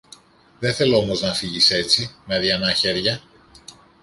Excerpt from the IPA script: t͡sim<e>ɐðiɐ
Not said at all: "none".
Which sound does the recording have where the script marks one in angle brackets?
e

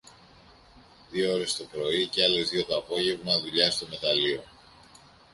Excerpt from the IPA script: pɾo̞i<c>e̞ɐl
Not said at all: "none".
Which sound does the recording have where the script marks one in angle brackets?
c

